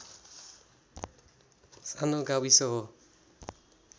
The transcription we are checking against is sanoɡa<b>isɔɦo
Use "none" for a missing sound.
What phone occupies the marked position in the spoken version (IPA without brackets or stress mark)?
w